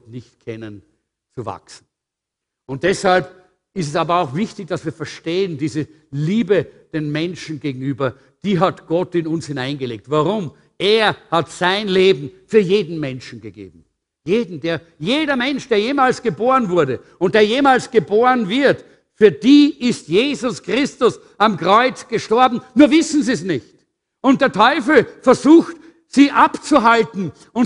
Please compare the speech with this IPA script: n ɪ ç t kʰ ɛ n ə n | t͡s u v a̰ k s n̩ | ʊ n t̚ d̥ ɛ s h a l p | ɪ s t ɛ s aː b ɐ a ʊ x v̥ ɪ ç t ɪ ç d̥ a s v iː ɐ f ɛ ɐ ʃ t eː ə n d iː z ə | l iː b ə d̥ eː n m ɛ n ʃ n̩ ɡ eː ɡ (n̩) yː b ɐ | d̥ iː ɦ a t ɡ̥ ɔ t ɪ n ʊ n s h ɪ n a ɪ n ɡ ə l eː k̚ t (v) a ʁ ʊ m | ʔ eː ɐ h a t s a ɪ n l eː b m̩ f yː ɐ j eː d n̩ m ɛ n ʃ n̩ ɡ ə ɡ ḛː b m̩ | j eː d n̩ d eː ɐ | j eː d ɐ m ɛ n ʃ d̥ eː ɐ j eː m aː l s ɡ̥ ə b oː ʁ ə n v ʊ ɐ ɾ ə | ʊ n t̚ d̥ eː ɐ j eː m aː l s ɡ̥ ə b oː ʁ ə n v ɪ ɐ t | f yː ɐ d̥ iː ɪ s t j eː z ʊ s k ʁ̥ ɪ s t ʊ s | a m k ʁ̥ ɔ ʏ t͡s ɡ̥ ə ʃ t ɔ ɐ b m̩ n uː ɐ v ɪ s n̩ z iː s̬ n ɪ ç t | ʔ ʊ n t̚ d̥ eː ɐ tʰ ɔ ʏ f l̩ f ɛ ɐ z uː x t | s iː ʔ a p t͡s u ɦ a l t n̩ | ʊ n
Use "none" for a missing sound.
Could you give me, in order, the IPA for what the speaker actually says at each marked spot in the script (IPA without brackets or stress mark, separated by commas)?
ŋ̩, v